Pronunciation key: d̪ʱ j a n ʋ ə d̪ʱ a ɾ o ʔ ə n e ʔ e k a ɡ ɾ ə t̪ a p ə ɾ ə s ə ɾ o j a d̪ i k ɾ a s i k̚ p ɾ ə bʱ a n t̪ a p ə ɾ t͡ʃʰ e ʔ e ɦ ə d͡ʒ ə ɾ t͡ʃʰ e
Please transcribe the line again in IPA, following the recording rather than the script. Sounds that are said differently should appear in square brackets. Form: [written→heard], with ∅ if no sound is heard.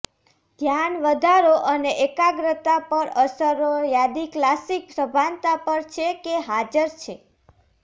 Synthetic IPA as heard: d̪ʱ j a n ʋ ə d̪ʱ a ɾ o ʔ ə n e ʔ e k a ɡ ɾ ə t̪ a p ə ɾ ə s ə ɾ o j a d̪ i k [ɾ→l] a s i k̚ p ɾ ə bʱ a n t̪ a p ə ɾ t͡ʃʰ e [ʔ→k] e ɦ [ə→a] d͡ʒ ə ɾ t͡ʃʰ e